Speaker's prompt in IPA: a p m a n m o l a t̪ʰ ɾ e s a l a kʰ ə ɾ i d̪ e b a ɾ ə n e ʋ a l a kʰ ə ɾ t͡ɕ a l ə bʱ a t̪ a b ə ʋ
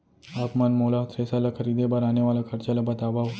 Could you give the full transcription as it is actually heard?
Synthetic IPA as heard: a p m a n m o l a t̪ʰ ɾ e s a l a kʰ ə ɾ i d̪ e b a ɾ a n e ʋ a l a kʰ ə ɾ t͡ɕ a l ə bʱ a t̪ a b a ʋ